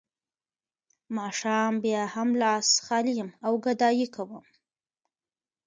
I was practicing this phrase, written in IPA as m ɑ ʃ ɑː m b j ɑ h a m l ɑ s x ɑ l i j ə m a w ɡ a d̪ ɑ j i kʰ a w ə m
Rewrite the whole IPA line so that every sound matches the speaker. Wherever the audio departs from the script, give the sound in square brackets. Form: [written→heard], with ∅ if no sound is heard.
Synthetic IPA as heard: m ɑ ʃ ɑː m b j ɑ h a m l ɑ s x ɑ l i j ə m a w ɡ a d̪ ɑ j i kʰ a w ə m

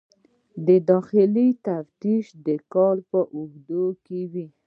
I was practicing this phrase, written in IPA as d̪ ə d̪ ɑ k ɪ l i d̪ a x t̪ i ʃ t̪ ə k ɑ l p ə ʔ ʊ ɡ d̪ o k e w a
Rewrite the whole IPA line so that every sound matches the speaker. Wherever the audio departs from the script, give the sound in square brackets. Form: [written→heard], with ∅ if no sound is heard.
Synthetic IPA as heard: d̪ ə d̪ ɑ [k→x] ɪ l i [d̪→t̪] a [x→f] t̪ i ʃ [t̪→d̪] ə k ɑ l p ə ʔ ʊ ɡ d̪ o k e w [a→i]

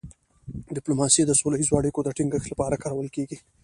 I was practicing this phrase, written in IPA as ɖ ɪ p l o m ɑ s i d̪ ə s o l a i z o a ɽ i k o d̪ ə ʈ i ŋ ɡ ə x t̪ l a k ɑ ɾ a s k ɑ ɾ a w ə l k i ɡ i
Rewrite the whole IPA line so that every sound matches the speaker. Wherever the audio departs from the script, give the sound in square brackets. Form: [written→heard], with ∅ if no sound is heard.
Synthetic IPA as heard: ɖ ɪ p l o m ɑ s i d̪ ə s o l a i z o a ɽ i k o d̪ ə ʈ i ŋ ɡ ə x t̪ l a [k→p] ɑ ɾ a [s→∅] k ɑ ɾ a w ə l k [i→e] ɡ i

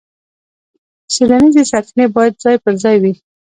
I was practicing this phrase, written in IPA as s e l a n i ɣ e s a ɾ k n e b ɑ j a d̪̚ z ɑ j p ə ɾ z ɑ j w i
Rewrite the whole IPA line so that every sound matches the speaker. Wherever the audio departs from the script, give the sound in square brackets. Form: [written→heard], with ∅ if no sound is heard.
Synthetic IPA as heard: s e l a n i [ɣ→z] e s a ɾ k n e b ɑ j a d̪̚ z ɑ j p ə ɾ z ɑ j w i

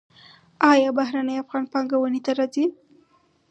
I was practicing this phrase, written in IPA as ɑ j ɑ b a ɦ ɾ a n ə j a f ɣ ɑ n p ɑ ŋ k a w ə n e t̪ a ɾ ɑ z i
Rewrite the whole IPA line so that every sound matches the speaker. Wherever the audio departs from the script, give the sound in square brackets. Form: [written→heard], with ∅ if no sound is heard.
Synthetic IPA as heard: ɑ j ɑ b a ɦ ɾ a n ə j a f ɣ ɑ n p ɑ ŋ [k→ɡ] a w ə n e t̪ a ɾ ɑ z i

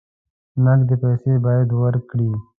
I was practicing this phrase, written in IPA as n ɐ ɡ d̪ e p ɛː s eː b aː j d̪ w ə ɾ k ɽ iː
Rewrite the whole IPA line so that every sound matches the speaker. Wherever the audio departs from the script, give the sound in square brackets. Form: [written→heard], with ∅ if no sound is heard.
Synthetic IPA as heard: n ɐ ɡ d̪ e p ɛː s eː b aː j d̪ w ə ɾ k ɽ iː

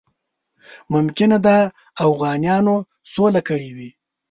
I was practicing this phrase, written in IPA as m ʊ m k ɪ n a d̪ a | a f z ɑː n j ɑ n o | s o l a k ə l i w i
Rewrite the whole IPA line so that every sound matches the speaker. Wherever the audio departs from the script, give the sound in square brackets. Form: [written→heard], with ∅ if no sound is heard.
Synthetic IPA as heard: m ʊ m k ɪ n a d̪ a | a f [z→ɣ] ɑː n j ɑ n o | s o l a k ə [l→ɽ] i w i

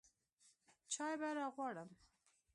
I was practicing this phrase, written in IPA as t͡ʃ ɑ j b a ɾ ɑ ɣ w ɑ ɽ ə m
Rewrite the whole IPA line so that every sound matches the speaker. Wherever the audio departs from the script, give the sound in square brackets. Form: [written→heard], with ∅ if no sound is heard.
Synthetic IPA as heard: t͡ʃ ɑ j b a ɾ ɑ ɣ w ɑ ɽ ə m

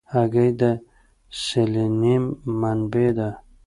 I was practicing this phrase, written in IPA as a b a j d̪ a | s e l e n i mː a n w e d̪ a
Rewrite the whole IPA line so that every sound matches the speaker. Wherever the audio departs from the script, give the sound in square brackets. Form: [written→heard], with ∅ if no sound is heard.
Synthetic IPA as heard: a [b→ɡ] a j d̪ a | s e l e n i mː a n [w→b] e d̪ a

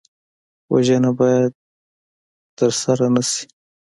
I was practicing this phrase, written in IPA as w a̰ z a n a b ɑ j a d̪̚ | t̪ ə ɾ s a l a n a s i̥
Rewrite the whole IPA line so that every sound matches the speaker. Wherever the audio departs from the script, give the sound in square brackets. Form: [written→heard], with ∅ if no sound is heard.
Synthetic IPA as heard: w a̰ [z→ʒ] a n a b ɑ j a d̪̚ | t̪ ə ɾ s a [l→ɾ] a n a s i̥

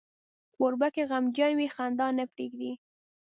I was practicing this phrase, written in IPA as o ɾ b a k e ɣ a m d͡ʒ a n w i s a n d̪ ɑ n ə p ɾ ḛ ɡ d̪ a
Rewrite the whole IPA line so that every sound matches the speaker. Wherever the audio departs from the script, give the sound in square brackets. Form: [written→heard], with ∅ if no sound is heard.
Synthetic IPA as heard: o ɾ b a k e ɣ a m d͡ʒ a n w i [s→x] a n d̪ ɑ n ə p ɾ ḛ ɡ d̪ [a→i]

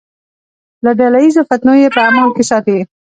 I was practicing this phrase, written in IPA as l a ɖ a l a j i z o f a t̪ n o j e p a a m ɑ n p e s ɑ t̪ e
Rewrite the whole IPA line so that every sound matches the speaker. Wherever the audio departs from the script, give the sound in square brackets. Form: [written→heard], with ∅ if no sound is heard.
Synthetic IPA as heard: l a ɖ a l a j i z o f a t̪ n o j e p [a→ə] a m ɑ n [p→k] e s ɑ t̪ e

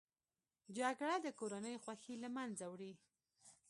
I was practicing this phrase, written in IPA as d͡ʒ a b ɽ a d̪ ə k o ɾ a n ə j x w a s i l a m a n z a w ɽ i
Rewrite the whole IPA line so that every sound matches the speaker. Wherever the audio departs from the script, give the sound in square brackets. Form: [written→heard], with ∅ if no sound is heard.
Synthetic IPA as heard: d͡ʒ a [b→ɡ] ɽ a d̪ ə k o ɾ a n ə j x w a [s→x] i l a m a n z a w ɽ i

